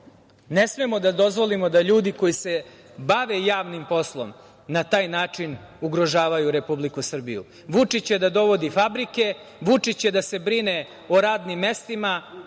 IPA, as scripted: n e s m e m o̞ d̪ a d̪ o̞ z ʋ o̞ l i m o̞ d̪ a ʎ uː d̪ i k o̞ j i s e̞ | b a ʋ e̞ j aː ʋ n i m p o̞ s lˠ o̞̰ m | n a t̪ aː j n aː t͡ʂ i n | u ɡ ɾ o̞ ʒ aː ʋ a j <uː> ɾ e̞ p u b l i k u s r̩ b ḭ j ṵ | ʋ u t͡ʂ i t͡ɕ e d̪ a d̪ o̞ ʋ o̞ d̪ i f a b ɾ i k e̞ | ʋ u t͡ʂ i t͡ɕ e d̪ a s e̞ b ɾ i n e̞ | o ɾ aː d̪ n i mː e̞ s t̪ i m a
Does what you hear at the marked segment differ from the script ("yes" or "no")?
yes